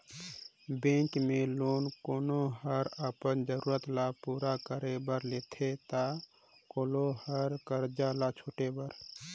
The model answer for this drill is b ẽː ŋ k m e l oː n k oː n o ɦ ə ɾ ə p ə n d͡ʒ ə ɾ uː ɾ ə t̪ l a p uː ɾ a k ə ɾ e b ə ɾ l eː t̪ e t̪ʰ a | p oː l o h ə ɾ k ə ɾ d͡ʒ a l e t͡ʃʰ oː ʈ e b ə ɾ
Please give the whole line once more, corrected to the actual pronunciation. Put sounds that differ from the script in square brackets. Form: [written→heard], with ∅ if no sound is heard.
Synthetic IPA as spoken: b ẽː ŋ k m e l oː n k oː n o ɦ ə ɾ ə p ə n d͡ʒ ə ɾ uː ɾ ə t̪ l a p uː ɾ a k ə ɾ e b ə ɾ l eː [t̪→t̪ʰ] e [t̪ʰ→t̪] a | [p→k] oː l o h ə ɾ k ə ɾ d͡ʒ a l [e→a] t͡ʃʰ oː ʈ e b ə ɾ